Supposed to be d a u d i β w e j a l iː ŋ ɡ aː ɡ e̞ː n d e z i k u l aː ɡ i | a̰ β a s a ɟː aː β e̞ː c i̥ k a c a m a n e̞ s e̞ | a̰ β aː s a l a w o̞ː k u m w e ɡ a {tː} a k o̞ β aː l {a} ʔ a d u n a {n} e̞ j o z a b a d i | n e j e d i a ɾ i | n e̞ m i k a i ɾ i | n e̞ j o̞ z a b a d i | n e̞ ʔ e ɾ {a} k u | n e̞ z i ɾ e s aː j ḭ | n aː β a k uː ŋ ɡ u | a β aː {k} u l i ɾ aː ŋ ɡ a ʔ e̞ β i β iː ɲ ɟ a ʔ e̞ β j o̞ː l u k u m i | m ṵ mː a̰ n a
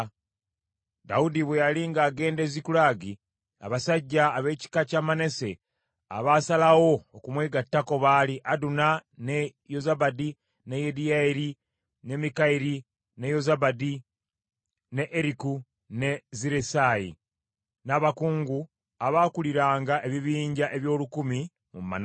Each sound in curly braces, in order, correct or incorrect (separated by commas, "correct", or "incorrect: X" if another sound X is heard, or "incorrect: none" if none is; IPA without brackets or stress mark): correct, incorrect: i, correct, incorrect: i, correct